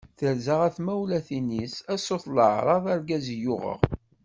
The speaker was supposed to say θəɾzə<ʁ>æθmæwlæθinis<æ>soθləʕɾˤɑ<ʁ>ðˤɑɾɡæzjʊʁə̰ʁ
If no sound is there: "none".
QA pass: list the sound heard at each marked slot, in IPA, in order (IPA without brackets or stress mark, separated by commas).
ʁ, æ, none